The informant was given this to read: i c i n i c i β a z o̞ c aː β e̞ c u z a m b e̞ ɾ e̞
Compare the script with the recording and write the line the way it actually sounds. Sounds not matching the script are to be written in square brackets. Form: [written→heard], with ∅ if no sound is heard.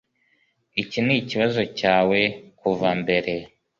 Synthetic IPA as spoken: i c i n i c i β a z o̞ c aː [β→w] e̞ [c→k] u [z→v] a m b e̞ ɾ e̞